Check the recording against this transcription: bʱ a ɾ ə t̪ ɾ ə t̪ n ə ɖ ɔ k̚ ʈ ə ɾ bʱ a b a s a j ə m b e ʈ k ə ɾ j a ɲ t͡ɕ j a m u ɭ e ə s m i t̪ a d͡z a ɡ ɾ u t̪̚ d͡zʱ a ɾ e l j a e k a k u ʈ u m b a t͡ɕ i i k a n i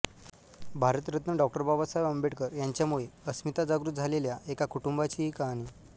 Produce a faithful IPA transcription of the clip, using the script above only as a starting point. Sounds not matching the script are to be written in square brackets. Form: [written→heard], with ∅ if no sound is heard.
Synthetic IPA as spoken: bʱ a ɾ ə t̪ ɾ ə t̪ n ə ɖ ɔ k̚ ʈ ə ɾ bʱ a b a s a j ə m b e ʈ k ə ɾ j a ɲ t͡ɕ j a m u ɭ e ə s m i t̪ a d͡z a ɡ ɾ u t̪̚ d͡zʱ a [ɾ→l] e l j a e k a k u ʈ u m b a t͡ɕ i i k a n i

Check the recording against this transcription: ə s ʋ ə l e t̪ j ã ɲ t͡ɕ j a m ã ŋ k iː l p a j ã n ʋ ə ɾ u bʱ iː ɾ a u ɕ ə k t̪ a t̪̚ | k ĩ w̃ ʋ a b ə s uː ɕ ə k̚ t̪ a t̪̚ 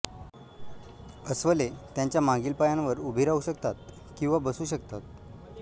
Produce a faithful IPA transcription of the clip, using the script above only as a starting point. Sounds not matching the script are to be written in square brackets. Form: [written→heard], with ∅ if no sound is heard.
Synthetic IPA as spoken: ə s ʋ ə l e t̪ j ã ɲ t͡ɕ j a m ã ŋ [k→ɡ] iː l p a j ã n ʋ ə ɾ u bʱ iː ɾ a u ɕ ə k t̪ a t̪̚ | k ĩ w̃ ʋ a b ə s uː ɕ ə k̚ t̪ a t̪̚

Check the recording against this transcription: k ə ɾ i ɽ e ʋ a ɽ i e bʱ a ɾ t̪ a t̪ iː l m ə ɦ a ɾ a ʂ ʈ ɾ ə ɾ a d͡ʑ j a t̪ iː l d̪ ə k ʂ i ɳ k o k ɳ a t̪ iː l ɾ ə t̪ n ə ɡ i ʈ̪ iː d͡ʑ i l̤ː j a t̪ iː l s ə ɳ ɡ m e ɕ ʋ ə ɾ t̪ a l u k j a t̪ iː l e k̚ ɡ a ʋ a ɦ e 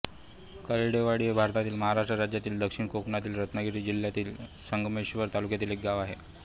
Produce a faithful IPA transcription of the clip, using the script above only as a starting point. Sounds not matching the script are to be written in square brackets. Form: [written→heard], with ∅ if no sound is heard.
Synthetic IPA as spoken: k ə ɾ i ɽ e ʋ a ɽ i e bʱ a ɾ t̪ a t̪ iː l m ə ɦ a ɾ a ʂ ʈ ɾ ə ɾ a d͡ʑ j a t̪ iː l d̪ ə k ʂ i ɳ k o k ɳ a t̪ iː l ɾ ə t̪ n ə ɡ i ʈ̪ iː d͡ʑ i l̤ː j a t̪ iː l s ə [ɳ→ŋ] ɡ m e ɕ ʋ ə ɾ t̪ a l u k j a t̪ iː l e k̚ ɡ a ʋ a ɦ e

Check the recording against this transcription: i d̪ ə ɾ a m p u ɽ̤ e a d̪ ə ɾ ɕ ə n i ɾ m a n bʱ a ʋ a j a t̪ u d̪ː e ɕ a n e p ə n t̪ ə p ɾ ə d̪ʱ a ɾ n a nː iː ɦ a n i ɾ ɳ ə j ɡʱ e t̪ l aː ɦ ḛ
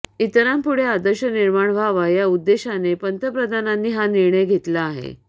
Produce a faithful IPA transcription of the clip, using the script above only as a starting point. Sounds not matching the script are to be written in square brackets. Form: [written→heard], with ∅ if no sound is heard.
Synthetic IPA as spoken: i [d̪→t̪] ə ɾ a m p u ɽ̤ e a d̪ ə ɾ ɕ ə n i ɾ m a [n→ɳ] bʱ a ʋ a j a [t̪→∅] u d̪ː e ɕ a n e p ə n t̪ ə p ɾ ə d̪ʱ a [ɾ→∅] n a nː iː ɦ a n i ɾ ɳ ə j ɡʱ e t̪ l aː ɦ ḛ

